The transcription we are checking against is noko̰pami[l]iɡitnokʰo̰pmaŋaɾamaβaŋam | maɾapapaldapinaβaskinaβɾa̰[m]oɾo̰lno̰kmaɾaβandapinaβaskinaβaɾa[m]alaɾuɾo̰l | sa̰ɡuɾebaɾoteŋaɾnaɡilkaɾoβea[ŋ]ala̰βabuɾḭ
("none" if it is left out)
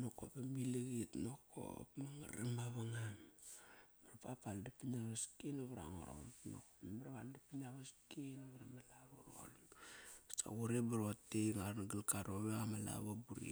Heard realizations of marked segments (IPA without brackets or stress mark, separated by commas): l, ŋ, m, m